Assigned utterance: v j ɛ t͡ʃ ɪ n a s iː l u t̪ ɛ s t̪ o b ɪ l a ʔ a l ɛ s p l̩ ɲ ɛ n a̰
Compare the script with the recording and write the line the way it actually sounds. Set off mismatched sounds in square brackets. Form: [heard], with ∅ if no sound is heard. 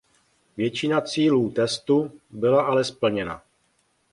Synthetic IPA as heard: v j ɛ t͡ʃ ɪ n a [t͡s] iː l [uː] t̪ ɛ s t̪ [u] b ɪ l a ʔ a l ɛ s p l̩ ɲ ɛ n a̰